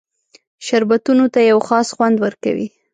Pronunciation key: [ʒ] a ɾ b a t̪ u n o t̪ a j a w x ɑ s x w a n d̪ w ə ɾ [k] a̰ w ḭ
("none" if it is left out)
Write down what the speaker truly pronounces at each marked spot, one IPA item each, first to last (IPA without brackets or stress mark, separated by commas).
ʃ, k